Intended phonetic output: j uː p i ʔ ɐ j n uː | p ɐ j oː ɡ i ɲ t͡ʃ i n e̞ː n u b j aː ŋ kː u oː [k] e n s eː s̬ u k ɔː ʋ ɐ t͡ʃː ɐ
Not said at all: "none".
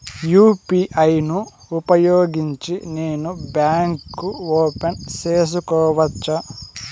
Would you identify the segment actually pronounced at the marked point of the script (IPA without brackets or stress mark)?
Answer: p